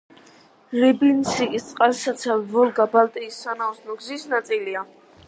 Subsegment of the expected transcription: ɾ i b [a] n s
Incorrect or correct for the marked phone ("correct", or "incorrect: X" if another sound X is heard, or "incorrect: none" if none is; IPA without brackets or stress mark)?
incorrect: i